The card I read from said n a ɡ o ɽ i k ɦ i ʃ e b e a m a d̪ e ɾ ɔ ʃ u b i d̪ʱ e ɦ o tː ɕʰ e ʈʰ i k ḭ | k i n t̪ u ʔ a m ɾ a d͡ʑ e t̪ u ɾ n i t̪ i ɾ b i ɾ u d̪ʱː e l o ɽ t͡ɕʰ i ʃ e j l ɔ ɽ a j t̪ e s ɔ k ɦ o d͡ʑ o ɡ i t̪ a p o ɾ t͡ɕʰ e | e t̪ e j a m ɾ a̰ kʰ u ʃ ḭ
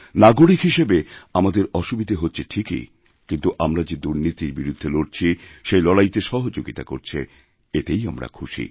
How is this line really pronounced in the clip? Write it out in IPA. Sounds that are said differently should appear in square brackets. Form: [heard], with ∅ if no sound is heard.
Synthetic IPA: n a ɡ o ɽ i k ɦ i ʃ e b e a m a d̪ e ɾ ɔ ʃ u b i d̪ʱ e ɦ o tː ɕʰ e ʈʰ i k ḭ | k i n t̪ u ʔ a m ɾ a d͡ʑ e [d̪] u ɾ n i t̪ i ɾ b i ɾ u d̪ʱː e l o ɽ t͡ɕʰ i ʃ e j l ɔ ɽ a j t̪ e [ʃ] ɔ [∅] ɦ o d͡ʑ o ɡ i t̪ a [k] o ɾ t͡ɕʰ e | e t̪ e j a m ɾ a̰ kʰ u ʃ ḭ